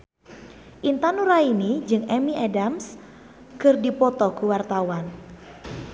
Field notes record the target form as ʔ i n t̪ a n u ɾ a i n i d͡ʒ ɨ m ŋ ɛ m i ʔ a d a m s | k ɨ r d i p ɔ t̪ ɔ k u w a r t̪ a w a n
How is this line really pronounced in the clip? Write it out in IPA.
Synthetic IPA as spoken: ʔ i n t̪ a n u ɾ a i n i d͡ʒ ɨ ŋ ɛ m i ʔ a d a m s | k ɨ r d i p ɔ t̪ ɔ k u w a r t̪ a w a n